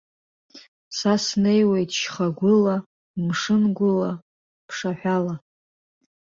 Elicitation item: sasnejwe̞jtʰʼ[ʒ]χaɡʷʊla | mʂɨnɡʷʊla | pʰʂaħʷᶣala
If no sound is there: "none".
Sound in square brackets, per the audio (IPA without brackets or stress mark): ʃ